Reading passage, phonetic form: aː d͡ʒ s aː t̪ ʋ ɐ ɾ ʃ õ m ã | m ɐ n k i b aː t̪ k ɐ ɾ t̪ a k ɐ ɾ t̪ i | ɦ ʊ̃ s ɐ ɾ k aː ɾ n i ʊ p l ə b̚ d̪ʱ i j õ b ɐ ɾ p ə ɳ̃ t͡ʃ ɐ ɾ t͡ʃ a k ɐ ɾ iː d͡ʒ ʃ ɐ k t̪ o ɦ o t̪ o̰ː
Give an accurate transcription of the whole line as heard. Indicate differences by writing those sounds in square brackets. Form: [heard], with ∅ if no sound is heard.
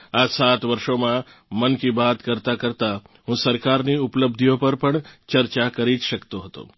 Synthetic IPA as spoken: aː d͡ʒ s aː t̪ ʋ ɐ ɾ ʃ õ m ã | m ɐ n k i b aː t̪ k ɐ ɾ t̪ a k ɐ ɾ t̪ [a] | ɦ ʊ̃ s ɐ ɾ k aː ɾ n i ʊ p l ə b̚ d̪ʱ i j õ [p] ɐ ɾ p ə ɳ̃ t͡ʃ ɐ ɾ t͡ʃ a k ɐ ɾ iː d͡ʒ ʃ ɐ k t̪ o ɦ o t̪ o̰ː